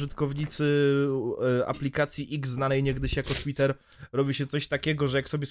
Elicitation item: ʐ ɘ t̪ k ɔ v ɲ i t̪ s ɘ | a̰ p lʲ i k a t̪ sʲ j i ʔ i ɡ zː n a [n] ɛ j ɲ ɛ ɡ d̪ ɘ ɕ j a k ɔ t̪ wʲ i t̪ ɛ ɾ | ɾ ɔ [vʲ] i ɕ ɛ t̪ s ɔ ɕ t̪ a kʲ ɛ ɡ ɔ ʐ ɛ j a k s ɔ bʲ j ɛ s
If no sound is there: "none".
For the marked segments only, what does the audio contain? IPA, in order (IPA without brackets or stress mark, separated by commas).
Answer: n, bʲ